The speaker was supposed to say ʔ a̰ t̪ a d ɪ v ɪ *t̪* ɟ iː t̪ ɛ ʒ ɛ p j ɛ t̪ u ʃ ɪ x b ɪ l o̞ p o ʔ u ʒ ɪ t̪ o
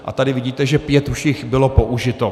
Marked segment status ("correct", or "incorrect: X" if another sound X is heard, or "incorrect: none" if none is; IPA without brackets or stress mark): incorrect: none